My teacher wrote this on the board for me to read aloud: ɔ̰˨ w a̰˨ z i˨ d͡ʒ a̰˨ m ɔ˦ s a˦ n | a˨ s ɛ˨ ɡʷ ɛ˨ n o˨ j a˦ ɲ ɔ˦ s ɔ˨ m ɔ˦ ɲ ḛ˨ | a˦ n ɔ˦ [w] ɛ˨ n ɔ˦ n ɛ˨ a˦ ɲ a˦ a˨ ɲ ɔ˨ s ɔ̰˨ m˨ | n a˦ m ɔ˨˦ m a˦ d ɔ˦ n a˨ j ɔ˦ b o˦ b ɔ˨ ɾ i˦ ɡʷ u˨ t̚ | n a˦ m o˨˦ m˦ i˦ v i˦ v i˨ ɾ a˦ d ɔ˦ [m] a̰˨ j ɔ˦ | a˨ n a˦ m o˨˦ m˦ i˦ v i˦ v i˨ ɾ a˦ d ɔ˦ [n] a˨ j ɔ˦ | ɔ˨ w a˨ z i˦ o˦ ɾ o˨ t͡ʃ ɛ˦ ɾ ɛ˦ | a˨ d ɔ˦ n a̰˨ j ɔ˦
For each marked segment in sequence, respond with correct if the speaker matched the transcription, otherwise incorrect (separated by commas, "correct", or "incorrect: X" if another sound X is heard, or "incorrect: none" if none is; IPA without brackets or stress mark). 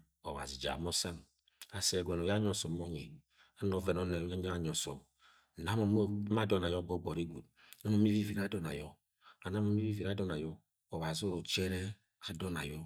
incorrect: v, incorrect: n, correct